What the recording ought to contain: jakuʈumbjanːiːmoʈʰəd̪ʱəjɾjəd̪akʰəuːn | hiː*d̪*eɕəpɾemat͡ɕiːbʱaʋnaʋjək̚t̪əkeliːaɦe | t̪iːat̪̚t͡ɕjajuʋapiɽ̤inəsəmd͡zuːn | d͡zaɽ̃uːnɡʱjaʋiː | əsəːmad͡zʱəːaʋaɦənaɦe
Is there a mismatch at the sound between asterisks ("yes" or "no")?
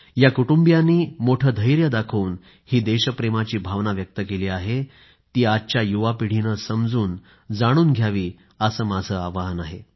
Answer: no